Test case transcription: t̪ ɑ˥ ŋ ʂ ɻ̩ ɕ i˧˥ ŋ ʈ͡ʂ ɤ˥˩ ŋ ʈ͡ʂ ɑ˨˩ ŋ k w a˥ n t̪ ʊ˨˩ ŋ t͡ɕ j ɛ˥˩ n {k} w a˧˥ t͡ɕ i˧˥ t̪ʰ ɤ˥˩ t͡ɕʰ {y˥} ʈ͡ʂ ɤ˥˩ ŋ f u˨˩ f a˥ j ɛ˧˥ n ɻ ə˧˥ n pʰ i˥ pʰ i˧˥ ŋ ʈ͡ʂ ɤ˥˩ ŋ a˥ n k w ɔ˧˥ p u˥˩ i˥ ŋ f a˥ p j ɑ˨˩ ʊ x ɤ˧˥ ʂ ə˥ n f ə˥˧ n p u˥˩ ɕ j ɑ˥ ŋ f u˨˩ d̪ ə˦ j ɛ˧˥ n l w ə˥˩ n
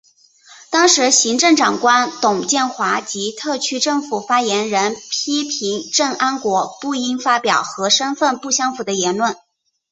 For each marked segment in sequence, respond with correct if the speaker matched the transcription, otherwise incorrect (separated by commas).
incorrect, correct